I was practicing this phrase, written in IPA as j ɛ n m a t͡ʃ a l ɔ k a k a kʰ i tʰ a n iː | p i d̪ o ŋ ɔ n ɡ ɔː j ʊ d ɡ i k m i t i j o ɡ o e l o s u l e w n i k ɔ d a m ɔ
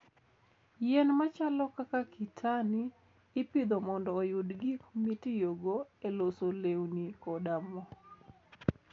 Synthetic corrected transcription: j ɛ n m a t͡ʃ a l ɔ k a k a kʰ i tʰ a n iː | p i d̪ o m ɔ n d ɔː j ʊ d ɡ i k m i t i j o ɡ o e l o s o l e w n i k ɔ d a m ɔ